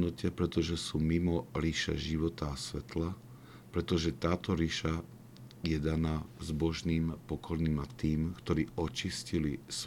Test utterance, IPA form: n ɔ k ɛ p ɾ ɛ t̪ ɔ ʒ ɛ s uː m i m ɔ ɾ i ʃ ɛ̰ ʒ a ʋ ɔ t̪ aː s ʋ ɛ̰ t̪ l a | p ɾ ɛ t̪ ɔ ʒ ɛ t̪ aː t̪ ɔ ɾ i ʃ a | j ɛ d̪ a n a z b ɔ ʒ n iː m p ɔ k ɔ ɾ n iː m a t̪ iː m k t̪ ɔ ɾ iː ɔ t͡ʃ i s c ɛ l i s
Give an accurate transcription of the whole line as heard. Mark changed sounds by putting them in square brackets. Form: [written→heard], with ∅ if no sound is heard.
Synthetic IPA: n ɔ [k→c] ɛ p ɾ ɛ t̪ ɔ ʒ ɛ s uː m i m ɔ ɾ i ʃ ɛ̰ ʒ [a→i] ʋ ɔ t̪ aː s ʋ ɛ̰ t̪ l a | p ɾ ɛ t̪ ɔ ʒ ɛ t̪ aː t̪ ɔ ɾ i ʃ a | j ɛ d̪ a n a z b ɔ ʒ n iː m p ɔ k ɔ ɾ n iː m a t̪ iː m k t̪ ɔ ɾ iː ɔ t͡ʃ i s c [ɛ→i] l i s